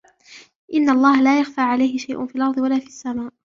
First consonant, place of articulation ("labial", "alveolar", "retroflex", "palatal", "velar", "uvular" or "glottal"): glottal